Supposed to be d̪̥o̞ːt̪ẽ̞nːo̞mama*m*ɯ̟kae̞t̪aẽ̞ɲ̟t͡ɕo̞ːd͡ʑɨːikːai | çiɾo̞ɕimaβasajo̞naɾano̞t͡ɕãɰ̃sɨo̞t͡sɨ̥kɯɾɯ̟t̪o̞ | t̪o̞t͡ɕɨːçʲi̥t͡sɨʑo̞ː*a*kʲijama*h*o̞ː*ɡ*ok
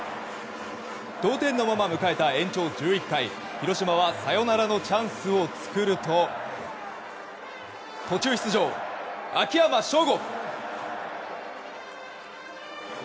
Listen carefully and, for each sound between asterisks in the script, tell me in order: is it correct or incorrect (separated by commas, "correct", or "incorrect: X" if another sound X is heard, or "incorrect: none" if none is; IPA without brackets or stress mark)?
correct, correct, incorrect: ɕ, correct